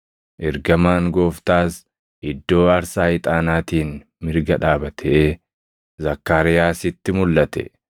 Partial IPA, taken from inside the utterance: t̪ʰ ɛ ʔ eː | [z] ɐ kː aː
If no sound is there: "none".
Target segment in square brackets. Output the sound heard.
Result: z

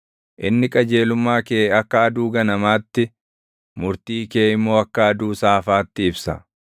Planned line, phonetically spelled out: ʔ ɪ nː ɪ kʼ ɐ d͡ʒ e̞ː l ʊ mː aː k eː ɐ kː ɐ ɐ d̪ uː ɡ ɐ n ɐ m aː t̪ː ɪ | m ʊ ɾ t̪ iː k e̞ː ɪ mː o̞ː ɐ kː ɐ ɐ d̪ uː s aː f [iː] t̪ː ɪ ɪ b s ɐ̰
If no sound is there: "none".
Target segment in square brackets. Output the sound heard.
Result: aː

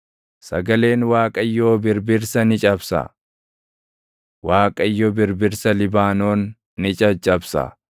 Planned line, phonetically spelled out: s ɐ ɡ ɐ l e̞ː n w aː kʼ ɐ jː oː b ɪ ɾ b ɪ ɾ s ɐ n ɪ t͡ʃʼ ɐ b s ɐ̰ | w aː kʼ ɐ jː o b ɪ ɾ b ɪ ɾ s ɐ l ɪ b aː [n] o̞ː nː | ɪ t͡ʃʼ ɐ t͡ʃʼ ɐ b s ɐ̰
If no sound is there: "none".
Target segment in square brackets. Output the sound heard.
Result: n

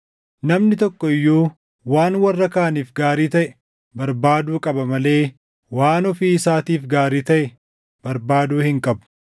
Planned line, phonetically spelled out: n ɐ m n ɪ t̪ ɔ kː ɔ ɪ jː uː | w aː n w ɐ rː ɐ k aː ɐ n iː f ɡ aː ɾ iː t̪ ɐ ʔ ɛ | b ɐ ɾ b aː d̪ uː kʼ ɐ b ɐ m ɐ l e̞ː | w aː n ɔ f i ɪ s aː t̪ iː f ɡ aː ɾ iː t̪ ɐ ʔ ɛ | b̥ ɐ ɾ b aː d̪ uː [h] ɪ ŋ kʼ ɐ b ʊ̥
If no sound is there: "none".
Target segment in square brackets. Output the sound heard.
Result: h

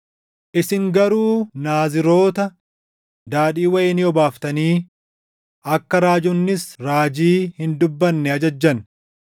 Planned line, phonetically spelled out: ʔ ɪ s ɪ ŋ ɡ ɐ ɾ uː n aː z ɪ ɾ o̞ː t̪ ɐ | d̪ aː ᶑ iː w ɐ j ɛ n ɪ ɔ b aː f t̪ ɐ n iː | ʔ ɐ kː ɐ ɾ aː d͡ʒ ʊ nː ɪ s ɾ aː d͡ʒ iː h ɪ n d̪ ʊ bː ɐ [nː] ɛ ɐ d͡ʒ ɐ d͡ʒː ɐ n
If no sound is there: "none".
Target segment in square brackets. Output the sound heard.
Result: nː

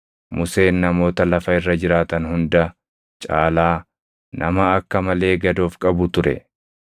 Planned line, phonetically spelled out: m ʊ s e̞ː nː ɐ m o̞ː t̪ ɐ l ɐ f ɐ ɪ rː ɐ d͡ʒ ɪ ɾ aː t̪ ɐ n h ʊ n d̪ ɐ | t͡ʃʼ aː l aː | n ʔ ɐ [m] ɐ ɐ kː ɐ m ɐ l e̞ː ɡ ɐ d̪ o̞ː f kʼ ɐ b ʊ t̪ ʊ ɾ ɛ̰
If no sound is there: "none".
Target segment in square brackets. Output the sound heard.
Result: m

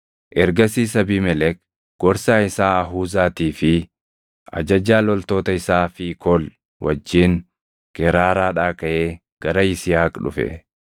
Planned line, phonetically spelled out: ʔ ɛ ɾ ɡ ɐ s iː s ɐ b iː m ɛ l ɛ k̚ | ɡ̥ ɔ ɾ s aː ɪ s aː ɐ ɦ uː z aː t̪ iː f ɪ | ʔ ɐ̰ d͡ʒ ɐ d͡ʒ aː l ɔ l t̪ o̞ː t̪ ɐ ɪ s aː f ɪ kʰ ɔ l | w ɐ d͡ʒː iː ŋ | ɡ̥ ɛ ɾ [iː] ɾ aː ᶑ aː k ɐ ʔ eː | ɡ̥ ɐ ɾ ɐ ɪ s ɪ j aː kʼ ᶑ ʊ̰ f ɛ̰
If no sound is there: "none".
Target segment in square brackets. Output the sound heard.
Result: aː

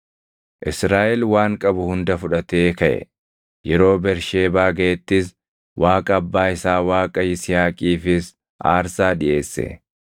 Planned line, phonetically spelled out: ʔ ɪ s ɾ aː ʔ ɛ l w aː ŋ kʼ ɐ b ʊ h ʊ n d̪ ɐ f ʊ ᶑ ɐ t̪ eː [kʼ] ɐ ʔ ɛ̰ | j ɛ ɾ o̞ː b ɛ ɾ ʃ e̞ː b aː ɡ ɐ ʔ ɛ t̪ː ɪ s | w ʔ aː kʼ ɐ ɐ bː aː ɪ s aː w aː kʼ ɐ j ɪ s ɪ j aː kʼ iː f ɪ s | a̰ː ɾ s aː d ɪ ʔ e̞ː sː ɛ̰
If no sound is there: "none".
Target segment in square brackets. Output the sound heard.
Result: k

